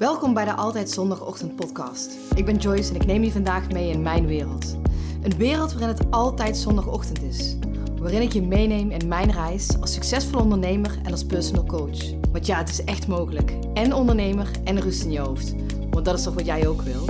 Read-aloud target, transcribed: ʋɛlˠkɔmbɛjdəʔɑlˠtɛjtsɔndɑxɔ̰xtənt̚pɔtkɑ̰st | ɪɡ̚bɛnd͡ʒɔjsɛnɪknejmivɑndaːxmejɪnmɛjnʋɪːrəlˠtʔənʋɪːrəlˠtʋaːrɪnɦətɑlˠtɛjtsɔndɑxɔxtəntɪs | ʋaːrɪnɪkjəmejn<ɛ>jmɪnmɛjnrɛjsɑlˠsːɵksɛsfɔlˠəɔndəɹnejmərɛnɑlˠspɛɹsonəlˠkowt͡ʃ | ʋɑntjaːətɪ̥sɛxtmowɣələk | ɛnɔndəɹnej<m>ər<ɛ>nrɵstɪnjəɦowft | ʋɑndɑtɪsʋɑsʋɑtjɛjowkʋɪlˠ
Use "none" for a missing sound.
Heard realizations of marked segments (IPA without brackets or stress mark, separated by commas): e, m, ɛ